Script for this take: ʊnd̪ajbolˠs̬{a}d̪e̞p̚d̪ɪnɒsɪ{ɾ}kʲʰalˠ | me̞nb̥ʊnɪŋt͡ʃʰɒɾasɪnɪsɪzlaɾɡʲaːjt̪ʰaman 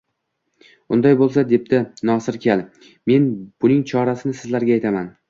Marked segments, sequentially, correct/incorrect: correct, correct

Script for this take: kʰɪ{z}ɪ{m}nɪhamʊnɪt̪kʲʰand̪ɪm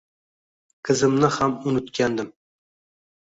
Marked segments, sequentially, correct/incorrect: correct, correct

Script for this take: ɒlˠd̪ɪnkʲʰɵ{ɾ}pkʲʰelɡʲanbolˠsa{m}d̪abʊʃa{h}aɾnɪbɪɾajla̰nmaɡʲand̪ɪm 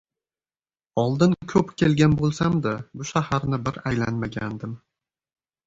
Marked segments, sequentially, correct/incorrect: incorrect, correct, correct

